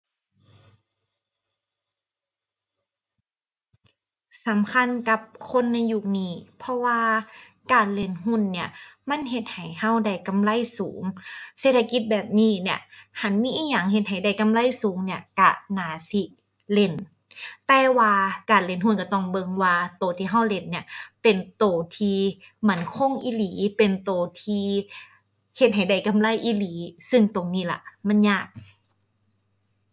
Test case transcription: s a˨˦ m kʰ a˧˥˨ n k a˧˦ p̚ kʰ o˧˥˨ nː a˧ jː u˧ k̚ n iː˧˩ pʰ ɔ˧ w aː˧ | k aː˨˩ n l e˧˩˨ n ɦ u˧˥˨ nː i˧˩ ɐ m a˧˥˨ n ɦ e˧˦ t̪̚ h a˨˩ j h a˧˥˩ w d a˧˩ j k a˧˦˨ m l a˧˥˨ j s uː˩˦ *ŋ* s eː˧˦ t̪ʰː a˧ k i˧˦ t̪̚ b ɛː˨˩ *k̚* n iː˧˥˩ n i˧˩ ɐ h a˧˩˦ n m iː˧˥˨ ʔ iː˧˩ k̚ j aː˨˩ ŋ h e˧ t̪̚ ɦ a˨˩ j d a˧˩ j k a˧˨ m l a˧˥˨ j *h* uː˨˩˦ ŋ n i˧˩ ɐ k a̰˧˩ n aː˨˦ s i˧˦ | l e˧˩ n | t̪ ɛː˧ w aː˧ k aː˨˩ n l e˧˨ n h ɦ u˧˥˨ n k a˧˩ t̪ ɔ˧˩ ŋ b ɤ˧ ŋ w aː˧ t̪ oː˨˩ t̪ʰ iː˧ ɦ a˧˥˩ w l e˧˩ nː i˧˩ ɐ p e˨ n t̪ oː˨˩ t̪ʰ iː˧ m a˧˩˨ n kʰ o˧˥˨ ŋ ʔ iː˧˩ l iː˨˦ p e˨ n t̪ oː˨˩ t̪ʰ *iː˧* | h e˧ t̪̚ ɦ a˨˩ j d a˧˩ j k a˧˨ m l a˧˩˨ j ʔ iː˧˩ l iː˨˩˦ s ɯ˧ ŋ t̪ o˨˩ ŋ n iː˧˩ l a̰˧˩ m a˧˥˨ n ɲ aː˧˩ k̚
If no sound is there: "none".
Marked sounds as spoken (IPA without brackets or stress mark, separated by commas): ŋ, p̚, s, iː˧